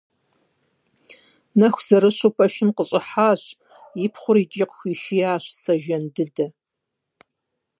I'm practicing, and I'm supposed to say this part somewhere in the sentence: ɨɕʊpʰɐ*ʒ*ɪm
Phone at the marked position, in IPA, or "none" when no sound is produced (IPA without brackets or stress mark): ʃ